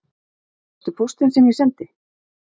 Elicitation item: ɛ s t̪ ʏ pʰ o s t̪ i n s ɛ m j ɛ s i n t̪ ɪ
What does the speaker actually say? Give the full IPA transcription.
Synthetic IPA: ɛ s t̪ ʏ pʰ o s t̪ ɪ n s ɛ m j ɛ s ɛ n t̪ ɪ

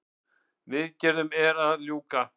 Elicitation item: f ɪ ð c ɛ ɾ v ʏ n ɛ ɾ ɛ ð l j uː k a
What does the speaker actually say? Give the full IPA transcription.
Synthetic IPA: v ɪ ð c ɛ ɾ ð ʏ m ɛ ɾ a ð l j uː k a

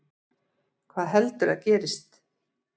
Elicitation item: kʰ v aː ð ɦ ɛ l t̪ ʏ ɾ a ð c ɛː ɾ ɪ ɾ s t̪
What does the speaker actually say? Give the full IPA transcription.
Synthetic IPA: kʰ v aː ð ɦ ɛ l t̪ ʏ ɾ a ð c ɛː ɾ ɪ s t̪

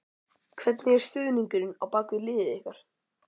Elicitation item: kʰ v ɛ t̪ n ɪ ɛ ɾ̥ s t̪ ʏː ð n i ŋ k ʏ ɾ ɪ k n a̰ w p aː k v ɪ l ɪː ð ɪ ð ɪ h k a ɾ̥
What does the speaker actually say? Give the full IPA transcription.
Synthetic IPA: kʰ v ɛ t̪ n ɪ ɛ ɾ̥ s t̪ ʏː ð n i ŋ k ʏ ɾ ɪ n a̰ w p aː k v ɪ l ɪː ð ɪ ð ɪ h k a ɾ̥

